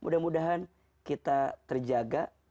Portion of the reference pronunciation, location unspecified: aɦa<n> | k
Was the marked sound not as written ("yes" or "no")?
no